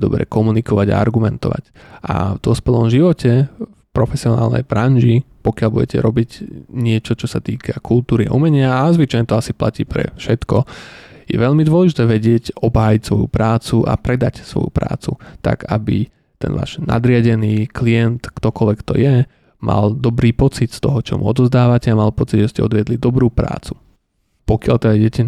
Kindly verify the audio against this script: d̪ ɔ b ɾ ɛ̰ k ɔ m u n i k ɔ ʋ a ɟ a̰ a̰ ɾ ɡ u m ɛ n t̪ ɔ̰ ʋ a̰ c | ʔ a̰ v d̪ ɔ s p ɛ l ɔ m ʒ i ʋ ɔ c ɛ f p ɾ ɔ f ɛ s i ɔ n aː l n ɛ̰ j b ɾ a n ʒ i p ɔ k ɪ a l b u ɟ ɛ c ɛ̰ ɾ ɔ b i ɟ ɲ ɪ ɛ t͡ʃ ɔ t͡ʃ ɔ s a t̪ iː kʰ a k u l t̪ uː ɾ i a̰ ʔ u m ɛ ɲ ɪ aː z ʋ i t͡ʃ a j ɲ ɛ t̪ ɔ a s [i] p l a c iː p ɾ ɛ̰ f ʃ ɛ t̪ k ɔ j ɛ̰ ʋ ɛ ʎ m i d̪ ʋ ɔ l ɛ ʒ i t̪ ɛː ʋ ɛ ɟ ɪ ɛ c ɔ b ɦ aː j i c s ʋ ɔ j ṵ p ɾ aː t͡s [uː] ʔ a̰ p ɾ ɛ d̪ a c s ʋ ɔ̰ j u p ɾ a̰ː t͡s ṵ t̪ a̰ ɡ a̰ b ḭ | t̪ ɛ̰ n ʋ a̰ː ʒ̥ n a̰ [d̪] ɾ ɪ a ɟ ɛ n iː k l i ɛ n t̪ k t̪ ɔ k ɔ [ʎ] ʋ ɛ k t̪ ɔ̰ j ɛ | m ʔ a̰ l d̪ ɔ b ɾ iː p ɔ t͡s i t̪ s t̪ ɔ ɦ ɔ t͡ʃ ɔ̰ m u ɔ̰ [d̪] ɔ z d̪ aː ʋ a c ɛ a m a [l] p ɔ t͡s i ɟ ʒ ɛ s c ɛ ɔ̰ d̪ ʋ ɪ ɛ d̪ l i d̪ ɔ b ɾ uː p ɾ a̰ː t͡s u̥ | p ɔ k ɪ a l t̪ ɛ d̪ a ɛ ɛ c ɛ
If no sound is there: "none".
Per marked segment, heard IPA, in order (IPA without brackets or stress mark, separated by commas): i, u, d̪, l, d̪, l